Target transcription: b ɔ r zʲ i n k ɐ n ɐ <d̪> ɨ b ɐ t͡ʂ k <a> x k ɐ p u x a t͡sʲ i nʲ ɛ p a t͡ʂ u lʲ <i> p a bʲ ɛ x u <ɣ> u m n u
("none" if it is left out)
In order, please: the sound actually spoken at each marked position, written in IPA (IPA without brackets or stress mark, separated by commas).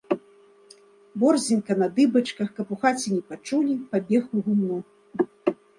d̪, ɐ, i, ɣ